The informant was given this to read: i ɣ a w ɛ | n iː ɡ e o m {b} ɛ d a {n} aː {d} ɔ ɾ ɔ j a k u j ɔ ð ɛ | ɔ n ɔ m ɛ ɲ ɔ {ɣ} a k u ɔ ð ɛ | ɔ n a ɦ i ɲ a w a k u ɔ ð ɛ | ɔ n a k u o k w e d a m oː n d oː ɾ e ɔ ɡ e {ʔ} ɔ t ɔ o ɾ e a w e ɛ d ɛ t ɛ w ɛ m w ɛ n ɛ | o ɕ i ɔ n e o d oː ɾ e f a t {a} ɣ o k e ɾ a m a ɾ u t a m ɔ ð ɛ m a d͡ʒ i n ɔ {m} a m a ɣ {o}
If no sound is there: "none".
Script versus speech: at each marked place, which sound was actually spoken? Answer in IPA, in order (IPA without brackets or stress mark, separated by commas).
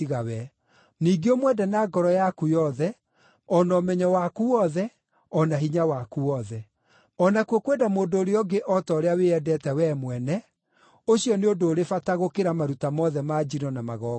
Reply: w, n, ɡ, w, ʔ, a, n, ɔ